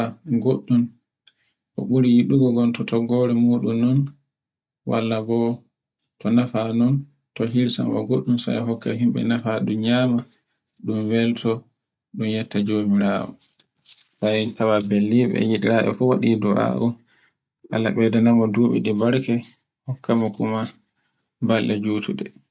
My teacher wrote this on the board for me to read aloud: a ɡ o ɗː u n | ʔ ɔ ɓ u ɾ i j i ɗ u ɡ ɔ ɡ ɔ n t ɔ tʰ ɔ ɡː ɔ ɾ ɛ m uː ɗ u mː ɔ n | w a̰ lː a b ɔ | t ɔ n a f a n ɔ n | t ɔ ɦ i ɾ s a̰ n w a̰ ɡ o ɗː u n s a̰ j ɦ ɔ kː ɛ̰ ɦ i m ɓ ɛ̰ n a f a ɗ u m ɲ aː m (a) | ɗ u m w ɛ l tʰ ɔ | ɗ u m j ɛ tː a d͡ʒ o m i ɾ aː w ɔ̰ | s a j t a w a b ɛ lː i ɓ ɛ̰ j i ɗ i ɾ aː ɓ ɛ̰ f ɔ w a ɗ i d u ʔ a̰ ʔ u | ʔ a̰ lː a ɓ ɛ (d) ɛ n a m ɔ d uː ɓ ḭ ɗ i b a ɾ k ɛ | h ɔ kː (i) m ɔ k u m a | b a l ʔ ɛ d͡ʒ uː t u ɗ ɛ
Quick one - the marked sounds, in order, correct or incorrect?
correct, correct, incorrect

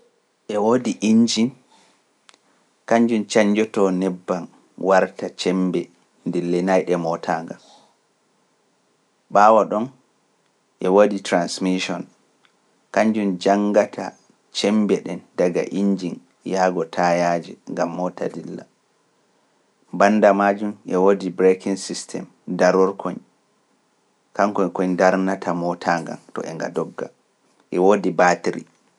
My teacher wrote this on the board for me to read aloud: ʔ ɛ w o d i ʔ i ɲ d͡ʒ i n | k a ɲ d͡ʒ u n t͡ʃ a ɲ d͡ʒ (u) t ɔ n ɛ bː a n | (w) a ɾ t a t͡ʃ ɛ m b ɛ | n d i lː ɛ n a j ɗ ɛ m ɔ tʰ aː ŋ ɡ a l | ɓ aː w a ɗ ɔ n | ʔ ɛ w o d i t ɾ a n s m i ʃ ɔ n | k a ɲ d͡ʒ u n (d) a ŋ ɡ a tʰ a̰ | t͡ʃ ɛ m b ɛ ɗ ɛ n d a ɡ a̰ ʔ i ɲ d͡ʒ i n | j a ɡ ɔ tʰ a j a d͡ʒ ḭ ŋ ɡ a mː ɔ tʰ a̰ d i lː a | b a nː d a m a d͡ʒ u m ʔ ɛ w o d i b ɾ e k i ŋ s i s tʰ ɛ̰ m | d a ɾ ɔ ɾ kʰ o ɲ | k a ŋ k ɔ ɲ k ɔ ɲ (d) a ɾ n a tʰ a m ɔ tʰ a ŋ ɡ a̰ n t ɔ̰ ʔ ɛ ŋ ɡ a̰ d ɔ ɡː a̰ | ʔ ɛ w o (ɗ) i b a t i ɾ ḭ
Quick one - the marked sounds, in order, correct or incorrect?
incorrect, correct, incorrect, correct, incorrect

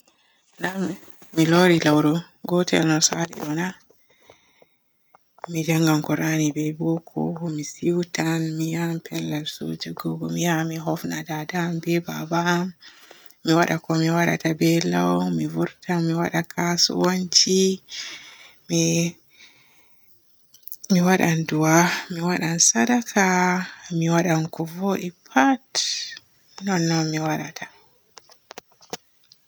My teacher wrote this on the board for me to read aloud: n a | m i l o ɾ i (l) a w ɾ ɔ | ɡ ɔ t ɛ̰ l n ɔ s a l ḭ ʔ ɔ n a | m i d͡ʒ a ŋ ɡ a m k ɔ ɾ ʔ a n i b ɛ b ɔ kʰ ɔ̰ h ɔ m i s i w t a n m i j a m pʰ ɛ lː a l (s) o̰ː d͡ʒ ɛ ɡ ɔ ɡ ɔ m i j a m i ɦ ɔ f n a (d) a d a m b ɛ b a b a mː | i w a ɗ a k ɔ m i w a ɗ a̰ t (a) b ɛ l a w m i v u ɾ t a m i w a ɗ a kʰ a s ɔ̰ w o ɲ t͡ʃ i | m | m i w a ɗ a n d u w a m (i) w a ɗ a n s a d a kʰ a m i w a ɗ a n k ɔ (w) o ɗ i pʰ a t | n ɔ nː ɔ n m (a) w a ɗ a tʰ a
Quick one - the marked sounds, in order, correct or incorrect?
correct, correct, correct, correct, correct, incorrect, incorrect

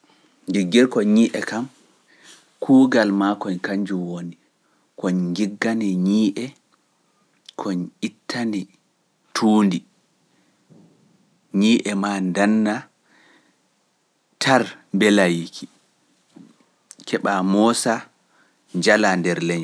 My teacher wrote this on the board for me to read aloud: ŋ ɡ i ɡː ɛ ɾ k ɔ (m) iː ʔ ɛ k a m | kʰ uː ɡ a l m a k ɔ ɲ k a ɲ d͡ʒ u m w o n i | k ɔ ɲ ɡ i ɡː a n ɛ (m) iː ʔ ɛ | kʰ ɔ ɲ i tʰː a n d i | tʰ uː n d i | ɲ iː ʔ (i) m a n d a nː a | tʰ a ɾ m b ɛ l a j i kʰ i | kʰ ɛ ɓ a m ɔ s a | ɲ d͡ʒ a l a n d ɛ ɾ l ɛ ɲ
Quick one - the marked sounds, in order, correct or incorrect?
incorrect, incorrect, incorrect

